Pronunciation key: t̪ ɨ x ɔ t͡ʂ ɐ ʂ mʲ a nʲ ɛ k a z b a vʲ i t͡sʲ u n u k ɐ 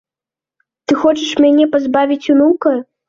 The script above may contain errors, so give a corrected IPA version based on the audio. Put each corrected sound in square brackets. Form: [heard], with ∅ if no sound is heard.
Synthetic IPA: t̪ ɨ x ɔ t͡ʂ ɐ ʂ mʲ a nʲ ɛ [p] a z b a vʲ i t͡sʲ u n u k ɐ